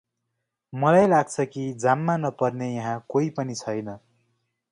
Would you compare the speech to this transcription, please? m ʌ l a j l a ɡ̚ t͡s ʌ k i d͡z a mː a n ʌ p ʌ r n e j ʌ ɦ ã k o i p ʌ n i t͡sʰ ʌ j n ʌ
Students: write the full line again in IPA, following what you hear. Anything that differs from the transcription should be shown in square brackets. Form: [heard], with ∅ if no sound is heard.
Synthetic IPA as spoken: m ʌ l a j l a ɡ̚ [t͡sʰ] ʌ k i d͡z a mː a n ʌ p ʌ r n e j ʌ ɦ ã k o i p ʌ n i t͡sʰ ʌ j n ʌ